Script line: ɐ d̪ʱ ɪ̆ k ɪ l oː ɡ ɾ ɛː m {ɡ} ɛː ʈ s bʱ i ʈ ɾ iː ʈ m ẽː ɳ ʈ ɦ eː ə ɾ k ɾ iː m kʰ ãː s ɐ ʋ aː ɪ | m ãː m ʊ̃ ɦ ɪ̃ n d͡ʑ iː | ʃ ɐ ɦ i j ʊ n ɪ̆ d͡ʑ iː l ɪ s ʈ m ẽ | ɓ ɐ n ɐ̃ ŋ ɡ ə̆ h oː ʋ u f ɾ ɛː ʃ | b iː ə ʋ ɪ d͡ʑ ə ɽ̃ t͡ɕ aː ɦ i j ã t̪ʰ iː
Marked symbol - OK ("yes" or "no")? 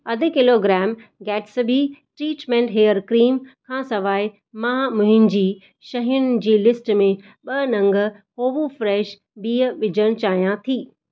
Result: yes